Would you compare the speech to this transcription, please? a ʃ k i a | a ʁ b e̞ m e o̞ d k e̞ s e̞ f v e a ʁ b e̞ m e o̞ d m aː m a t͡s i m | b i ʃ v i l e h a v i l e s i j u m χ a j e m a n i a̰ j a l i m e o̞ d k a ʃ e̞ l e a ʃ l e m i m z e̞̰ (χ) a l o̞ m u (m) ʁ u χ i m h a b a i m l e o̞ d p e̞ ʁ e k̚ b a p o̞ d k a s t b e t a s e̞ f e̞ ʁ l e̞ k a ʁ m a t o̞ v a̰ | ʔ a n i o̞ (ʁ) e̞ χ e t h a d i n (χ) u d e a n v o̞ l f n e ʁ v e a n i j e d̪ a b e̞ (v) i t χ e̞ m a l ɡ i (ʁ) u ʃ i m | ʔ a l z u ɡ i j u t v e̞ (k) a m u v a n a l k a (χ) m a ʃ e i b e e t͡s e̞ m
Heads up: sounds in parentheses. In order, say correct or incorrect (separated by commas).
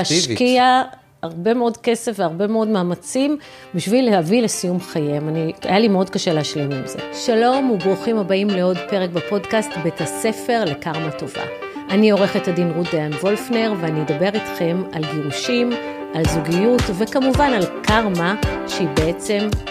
incorrect, incorrect, correct, incorrect, incorrect, correct, correct, incorrect